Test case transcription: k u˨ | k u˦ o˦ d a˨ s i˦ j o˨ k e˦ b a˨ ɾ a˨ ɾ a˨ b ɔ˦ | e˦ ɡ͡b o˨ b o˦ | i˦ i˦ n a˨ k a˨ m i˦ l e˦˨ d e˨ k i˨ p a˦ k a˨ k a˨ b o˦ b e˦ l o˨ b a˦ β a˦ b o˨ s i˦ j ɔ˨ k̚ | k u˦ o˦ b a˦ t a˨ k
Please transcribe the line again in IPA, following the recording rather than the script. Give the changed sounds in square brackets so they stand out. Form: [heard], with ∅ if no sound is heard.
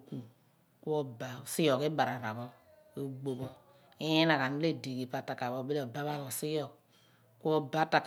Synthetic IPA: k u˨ | k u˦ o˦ [b] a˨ s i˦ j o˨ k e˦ b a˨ ɾ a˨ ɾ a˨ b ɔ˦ | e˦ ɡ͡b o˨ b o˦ | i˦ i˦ n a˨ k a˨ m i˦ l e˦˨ d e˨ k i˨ p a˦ [t] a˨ k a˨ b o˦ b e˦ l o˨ b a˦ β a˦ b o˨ s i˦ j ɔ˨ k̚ | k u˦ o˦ b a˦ t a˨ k